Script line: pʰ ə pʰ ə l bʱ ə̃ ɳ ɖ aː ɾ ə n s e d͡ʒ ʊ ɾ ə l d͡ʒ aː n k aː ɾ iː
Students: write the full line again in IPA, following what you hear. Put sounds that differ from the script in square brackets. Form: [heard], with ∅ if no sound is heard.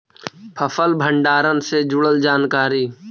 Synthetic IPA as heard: pʰ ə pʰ ə l bʱ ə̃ ɳ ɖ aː ɾ ə n s e d͡ʒ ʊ [ɽ] ə l d͡ʒ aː n k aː ɾ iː